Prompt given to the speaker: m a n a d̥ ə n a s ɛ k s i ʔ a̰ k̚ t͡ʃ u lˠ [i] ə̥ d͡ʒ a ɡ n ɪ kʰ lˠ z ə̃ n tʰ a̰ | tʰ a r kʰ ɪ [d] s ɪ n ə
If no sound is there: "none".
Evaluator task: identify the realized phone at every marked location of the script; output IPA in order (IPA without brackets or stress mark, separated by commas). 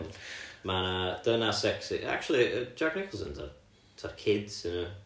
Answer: i, d